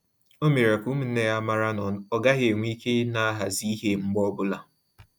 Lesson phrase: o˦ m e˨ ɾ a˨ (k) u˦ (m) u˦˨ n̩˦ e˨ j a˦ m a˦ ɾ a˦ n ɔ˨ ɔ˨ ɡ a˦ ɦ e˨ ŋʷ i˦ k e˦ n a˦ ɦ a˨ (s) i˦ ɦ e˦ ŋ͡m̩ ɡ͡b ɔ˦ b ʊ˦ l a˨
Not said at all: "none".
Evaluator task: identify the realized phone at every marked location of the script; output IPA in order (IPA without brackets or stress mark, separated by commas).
k, m, z